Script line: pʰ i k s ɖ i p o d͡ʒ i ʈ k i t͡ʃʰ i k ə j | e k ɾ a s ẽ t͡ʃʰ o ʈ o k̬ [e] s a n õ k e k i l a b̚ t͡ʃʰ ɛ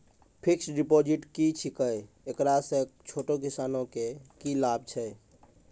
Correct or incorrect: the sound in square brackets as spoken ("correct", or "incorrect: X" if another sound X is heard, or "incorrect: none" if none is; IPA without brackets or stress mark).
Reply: incorrect: i